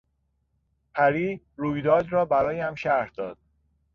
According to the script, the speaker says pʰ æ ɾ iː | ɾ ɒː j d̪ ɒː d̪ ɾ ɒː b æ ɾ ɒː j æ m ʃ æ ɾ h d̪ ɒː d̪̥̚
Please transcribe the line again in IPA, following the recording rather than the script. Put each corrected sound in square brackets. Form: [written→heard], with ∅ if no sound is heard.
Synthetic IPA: pʰ æ ɾ iː | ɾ [ɒː→uː] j d̪ ɒː d̪ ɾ ɒː b æ ɾ ɒː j æ m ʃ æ ɾ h d̪ ɒː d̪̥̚